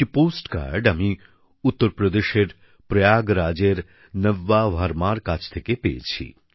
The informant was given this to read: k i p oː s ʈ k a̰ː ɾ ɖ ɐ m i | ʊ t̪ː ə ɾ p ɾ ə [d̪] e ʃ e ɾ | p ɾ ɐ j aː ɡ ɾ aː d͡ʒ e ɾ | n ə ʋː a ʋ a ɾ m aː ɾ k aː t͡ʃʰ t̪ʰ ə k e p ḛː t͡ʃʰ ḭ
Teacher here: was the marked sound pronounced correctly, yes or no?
yes